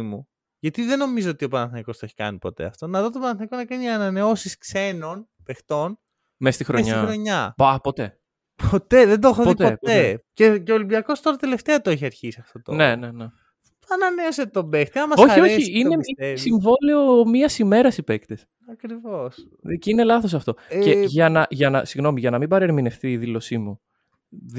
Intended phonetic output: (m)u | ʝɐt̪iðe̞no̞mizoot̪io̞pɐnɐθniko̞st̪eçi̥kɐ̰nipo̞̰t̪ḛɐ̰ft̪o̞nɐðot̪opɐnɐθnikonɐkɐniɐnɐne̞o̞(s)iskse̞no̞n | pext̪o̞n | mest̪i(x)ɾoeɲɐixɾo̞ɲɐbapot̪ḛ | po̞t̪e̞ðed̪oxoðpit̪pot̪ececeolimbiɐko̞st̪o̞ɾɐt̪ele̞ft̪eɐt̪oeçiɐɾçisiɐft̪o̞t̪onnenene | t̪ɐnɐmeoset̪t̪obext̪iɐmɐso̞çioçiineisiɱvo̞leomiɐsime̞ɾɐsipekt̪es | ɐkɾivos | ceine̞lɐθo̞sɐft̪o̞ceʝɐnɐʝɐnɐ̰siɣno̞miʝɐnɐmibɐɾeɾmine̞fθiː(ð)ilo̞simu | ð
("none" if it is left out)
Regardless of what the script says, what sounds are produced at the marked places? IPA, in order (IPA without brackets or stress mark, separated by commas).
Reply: m, s, x, ð